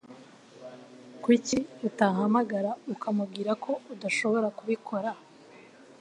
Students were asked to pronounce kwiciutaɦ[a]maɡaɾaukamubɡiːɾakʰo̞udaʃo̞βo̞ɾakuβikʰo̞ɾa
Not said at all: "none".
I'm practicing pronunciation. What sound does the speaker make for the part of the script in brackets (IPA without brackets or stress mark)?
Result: a